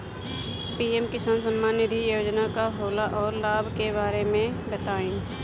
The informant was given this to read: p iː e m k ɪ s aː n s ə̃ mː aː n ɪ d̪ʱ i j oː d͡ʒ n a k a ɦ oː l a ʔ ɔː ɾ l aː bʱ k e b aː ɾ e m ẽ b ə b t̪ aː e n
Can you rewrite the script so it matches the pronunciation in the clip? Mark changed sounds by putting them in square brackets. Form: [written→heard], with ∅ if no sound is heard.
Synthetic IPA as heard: p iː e m k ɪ s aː n s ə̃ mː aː n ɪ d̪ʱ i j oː d͡ʒ n a k a ɦ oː l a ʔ ɔː ɾ l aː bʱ k e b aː ɾ e m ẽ b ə [b→∅] t̪ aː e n

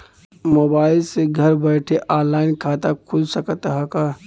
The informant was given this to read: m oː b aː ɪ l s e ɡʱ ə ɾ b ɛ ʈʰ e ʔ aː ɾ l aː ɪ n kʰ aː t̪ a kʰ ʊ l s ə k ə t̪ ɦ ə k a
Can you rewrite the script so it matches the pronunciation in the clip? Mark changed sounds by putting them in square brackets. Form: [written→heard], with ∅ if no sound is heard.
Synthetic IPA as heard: m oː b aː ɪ l s e ɡʱ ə ɾ b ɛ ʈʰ e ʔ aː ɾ l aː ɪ n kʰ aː t̪ a kʰ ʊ l s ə k ə t̪ ɦ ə k a

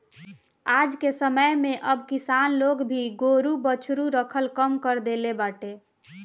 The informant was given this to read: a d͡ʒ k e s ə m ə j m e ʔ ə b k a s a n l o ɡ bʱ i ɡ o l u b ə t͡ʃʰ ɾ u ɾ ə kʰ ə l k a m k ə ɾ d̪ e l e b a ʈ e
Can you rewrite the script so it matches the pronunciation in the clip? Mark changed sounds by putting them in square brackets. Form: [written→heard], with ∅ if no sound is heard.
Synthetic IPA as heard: a d͡ʒ k e s ə m ə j m e ʔ ə b k [a→i] s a n l o ɡ bʱ i ɡ o [l→ɾ] u b ə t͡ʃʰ ɾ u ɾ ə kʰ ə l k [a→ə] m k ə ɾ d̪ e l e b a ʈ e

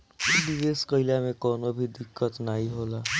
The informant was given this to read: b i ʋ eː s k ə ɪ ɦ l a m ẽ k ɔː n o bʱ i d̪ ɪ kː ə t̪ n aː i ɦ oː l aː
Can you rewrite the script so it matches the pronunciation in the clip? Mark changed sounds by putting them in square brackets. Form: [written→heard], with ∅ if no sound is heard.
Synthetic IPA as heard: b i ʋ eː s k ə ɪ [ɦ→∅] l a m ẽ k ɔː n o bʱ i d̪ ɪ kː ə t̪ n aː i ɦ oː l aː

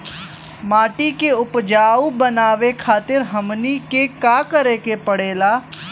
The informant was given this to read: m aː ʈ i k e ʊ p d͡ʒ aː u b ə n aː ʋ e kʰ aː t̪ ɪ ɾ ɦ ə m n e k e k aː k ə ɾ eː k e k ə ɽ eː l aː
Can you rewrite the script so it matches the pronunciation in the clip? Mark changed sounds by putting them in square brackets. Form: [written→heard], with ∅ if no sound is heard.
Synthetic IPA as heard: m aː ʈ i k e ʊ p d͡ʒ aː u b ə n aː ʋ e kʰ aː t̪ ɪ ɾ ɦ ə m n [e→i] k e k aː k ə ɾ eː k e [k→p] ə ɽ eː l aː

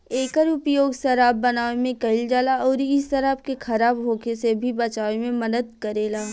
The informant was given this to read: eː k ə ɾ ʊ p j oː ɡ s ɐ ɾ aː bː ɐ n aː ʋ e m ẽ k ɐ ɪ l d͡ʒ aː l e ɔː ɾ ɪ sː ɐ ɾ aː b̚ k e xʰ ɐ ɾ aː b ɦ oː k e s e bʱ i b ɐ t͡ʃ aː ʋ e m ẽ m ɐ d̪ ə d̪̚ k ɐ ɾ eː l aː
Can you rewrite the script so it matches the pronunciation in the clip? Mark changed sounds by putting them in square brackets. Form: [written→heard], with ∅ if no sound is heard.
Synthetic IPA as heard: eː k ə ɾ ʊ p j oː ɡ s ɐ ɾ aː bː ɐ n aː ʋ e m ẽ k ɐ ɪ l d͡ʒ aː l [e→a] ɔː ɾ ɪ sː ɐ ɾ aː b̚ k e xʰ ɐ ɾ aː b ɦ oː k e s e bʱ i b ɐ t͡ʃ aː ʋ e m ẽ m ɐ d̪ ə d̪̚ k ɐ ɾ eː l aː

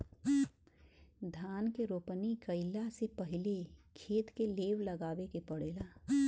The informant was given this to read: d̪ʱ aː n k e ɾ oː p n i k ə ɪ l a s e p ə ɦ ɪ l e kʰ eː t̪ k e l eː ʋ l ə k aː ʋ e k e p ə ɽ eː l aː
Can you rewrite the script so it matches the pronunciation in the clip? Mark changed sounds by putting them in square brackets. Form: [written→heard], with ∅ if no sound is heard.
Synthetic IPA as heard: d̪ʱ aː n k e ɾ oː p n i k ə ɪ l a s e p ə ɦ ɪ l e kʰ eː t̪ k e l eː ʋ l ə [k→ɡ] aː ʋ e k e p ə ɽ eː l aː

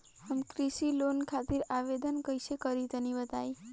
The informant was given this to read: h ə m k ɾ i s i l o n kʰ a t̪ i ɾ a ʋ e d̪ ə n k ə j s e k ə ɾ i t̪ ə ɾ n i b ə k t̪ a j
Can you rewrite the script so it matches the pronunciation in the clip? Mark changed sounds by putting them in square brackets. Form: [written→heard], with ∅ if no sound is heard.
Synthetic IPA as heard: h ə m k ɾ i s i l o n kʰ a t̪ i ɾ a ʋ e d̪ ə n k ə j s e k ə ɾ i t̪ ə [ɾ→∅] n i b ə [k→∅] t̪ a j

